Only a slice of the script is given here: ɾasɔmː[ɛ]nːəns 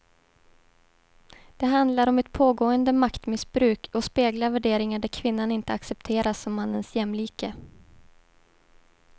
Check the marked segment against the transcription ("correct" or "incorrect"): incorrect